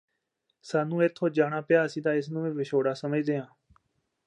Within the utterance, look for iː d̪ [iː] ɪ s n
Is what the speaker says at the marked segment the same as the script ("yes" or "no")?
no